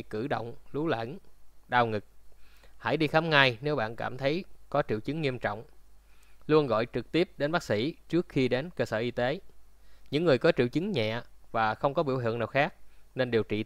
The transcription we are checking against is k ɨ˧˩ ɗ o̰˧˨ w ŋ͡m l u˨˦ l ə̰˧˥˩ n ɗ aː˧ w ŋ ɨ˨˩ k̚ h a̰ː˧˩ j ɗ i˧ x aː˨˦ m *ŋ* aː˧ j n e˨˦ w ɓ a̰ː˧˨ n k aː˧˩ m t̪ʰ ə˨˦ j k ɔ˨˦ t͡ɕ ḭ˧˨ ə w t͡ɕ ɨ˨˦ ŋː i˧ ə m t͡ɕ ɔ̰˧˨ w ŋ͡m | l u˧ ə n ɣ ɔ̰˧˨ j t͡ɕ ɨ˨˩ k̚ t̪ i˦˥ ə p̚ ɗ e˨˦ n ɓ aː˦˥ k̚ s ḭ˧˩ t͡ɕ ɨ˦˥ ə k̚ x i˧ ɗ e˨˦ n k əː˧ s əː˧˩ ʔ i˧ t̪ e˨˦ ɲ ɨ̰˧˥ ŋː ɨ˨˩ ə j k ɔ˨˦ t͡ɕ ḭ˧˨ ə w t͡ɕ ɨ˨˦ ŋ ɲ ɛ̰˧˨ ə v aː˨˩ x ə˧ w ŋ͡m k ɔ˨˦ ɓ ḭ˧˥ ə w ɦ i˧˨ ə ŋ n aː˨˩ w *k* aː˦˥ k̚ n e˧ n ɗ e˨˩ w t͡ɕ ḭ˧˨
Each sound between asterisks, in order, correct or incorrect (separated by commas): correct, incorrect